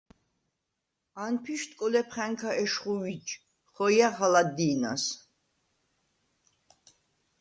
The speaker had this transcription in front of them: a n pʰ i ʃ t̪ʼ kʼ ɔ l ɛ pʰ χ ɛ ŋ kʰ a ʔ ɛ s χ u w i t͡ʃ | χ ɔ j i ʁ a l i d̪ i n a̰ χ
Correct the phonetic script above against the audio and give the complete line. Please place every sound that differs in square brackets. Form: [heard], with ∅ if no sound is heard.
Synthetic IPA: a n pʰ i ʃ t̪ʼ kʼ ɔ l ɛ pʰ χ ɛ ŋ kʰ a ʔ ɛ [ʃ] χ u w i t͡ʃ | χ ɔ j [a] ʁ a l [a] d̪ i n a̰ [s]